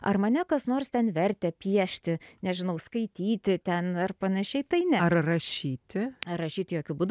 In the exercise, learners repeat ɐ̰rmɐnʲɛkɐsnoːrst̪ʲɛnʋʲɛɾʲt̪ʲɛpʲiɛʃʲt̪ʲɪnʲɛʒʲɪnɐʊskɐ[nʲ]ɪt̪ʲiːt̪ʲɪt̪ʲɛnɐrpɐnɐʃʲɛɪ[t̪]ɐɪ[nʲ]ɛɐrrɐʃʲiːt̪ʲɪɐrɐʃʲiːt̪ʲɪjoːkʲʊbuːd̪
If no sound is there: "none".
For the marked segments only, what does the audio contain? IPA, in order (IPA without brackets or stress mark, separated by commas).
none, t̪, nʲ